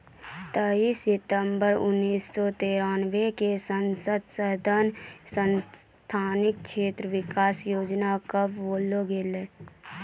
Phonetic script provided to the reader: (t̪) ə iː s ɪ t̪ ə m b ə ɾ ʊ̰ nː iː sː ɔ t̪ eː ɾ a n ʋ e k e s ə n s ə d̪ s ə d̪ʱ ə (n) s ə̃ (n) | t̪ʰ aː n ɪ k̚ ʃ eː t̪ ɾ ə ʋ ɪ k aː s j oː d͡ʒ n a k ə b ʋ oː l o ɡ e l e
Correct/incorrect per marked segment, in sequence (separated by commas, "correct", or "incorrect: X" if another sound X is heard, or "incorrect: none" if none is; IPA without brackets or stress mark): correct, correct, correct